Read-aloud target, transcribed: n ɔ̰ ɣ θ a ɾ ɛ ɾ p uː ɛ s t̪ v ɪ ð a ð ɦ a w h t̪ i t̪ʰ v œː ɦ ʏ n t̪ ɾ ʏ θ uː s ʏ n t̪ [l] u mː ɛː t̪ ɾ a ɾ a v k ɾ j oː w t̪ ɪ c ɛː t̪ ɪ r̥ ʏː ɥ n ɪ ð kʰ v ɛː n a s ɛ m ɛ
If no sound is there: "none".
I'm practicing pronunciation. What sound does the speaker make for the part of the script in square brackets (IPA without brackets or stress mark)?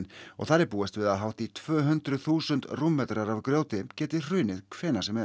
r